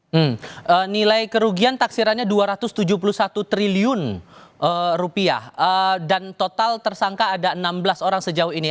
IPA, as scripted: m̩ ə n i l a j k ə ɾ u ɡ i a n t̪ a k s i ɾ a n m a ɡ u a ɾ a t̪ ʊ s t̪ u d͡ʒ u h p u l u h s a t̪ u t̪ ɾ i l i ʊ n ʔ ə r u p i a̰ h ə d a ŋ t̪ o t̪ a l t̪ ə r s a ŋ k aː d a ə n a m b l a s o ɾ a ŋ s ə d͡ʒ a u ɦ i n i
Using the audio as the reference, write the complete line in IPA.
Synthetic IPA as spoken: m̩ ə n i l a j k ə ɾ u ɡ i a n t̪ a k s i ɾ a n ɲ a d u a ɾ a t̪ ʊ s t̪ u d͡ʒ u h p u l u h s a t̪ u t̪ ɾ i l i ʊ n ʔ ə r u p i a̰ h ə d a n t̪ o t̪ a l t̪ ə r s a ŋ k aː d a ə n a m b l a s o ɾ a ŋ s ə d͡ʒ a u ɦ i n i